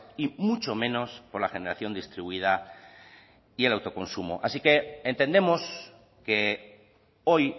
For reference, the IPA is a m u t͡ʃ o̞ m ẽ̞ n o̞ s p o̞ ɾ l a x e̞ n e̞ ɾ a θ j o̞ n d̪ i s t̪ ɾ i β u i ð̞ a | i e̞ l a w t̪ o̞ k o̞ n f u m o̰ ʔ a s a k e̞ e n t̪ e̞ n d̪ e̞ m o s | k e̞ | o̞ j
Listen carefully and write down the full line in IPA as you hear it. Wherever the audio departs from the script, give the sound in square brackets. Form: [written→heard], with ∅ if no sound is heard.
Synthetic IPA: [a→i] m u t͡ʃ o̞ m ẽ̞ n o̞ s p o̞ ɾ l a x e̞ n e̞ ɾ a θ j o̞ n d̪ i s t̪ ɾ i β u i ð̞ a | i e̞ l a w t̪ o̞ k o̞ n [f→s] u m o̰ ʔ a s [a→i] k e̞ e n t̪ e̞ n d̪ e̞ m o s | k e̞ | o̞ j